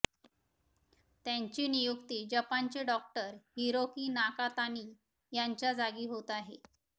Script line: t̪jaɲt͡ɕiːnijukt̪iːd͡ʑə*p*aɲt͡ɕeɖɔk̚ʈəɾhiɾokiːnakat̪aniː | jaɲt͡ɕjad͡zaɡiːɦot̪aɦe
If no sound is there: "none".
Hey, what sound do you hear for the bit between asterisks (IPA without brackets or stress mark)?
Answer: p